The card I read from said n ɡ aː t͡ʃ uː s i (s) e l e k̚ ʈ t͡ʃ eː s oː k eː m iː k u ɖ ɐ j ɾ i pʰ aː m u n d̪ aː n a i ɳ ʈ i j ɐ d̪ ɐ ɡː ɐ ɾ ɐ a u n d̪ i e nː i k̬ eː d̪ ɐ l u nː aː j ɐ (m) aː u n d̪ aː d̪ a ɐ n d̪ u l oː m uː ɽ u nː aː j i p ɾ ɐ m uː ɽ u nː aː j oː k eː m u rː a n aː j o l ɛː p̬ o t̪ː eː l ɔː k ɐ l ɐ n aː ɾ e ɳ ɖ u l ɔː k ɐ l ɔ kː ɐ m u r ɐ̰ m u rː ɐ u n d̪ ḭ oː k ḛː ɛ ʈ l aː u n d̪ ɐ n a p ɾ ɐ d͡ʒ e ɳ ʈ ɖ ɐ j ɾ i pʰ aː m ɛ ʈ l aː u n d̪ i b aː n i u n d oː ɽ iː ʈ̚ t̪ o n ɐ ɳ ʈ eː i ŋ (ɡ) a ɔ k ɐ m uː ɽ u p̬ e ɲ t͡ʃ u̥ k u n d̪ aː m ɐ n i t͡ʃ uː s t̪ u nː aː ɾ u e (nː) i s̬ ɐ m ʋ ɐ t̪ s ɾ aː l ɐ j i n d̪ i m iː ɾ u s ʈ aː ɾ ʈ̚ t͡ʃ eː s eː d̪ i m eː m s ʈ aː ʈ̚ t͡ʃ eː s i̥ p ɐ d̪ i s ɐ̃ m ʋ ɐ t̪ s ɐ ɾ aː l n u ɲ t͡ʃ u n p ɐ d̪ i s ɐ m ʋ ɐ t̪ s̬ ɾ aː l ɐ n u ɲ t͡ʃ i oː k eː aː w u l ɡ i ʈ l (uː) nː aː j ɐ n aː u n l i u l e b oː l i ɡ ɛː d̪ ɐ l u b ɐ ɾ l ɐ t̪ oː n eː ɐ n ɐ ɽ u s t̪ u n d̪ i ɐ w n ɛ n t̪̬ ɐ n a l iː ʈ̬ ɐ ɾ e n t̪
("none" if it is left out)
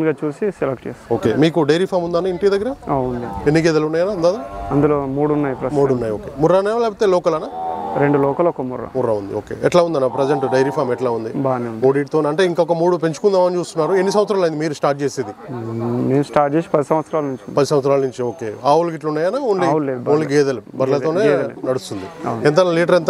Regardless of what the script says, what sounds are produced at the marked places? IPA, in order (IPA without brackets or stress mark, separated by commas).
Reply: s, n, k, nː, u